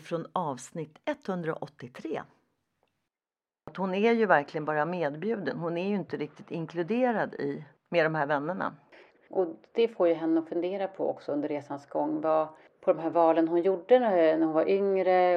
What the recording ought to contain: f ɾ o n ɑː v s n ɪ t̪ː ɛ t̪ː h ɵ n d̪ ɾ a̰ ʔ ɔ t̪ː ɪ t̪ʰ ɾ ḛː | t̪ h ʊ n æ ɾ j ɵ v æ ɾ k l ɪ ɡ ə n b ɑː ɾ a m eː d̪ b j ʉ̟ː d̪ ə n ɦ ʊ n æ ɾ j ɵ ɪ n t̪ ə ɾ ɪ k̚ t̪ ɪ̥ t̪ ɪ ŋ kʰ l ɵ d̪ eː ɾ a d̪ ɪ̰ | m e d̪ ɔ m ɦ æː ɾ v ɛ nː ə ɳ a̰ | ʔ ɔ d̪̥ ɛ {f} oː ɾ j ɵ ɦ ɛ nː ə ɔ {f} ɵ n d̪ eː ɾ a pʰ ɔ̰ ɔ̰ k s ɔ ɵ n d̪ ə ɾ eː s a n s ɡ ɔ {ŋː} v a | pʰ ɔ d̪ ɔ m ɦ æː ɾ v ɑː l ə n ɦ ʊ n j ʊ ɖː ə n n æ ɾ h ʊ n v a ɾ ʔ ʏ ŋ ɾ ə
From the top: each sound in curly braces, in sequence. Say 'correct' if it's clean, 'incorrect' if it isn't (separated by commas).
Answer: correct, correct, correct